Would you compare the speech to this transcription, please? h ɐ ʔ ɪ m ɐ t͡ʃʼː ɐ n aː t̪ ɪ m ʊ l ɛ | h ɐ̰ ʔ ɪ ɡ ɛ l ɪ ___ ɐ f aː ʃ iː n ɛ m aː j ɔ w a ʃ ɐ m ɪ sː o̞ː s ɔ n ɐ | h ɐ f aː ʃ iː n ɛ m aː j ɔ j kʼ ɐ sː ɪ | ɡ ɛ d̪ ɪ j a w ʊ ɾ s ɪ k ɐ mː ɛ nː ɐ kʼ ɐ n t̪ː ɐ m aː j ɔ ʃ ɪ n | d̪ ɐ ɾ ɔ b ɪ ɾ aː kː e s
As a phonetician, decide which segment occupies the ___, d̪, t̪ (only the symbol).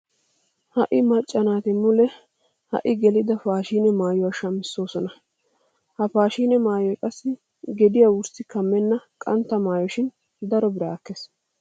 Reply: d̪